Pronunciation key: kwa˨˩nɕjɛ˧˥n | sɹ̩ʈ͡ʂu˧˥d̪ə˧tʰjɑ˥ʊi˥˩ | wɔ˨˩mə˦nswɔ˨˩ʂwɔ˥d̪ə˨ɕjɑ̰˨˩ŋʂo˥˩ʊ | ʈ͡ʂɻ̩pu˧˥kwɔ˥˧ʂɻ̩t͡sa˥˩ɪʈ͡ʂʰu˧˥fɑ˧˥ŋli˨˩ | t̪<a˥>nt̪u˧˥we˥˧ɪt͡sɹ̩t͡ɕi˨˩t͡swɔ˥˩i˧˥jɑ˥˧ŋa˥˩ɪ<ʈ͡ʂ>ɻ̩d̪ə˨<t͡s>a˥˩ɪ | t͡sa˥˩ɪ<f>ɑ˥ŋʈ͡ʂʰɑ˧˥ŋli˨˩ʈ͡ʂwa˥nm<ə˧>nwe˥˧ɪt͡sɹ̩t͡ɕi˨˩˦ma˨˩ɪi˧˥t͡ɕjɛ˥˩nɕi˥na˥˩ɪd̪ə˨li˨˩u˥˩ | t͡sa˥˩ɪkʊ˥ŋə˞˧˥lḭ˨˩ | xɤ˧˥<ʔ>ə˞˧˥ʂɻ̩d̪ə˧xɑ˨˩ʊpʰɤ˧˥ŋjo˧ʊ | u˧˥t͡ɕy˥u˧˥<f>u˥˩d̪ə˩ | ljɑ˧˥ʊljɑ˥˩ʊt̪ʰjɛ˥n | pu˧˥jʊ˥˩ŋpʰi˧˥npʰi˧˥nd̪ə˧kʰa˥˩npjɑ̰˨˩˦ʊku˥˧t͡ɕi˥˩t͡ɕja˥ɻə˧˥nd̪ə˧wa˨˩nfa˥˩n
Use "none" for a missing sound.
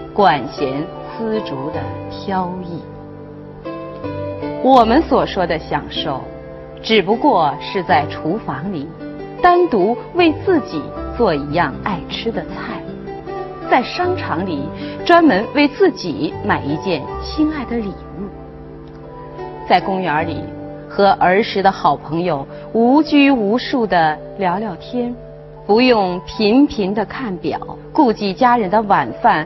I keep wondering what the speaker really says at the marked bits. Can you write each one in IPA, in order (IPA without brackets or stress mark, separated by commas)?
a˥, ʈ͡ʂʰ, t͡sʰ, ʂ, ə˧˥, ʔ, ʂ